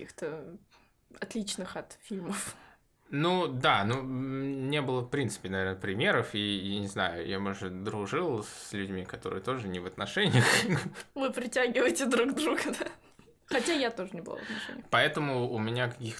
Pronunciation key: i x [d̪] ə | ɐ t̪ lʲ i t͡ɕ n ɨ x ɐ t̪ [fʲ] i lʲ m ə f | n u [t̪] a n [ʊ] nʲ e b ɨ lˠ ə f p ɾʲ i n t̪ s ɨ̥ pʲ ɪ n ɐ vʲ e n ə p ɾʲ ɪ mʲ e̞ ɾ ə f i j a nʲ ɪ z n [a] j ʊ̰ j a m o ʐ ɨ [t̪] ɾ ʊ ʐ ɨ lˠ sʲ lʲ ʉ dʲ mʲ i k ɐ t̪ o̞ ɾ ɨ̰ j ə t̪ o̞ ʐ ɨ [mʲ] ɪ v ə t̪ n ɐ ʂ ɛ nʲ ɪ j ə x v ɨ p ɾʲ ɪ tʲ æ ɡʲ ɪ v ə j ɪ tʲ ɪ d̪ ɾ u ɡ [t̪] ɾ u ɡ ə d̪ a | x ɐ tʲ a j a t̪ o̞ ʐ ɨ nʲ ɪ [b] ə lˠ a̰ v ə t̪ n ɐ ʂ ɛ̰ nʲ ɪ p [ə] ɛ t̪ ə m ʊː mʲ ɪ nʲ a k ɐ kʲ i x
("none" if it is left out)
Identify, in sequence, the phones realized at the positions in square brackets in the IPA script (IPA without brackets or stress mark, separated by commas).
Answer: t̪, fʲ, d̪, u, a, d̪, nʲ, d̪, b, ɐ